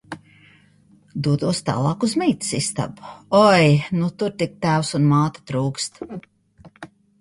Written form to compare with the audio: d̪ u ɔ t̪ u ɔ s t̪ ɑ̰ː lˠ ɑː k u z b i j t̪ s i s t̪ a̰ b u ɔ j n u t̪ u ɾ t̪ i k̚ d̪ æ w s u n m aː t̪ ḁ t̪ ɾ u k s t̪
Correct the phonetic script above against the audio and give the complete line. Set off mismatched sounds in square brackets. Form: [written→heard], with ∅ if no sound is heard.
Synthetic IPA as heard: d̪ u ɔ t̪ u ɔ s t̪ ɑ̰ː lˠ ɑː k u z [b→m] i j t̪ s i s t̪ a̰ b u ɔ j n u t̪ u ɾ t̪ i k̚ [d̪→t̪] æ w s u n m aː t̪ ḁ t̪ ɾ [u→uː] k s t̪